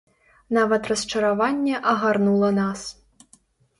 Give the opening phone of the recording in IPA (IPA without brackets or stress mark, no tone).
n